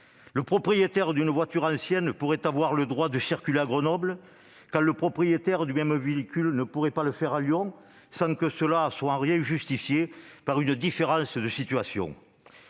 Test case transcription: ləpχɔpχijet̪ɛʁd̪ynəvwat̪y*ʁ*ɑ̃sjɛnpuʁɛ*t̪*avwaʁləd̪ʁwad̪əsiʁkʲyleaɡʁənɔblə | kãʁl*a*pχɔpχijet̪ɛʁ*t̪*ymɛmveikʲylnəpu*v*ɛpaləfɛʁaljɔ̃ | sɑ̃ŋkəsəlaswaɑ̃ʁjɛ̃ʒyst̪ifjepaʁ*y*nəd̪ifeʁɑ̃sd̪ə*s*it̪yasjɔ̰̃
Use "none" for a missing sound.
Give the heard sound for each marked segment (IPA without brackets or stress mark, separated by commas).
ʁ, t̪, ə, d̪, ʁ, y, s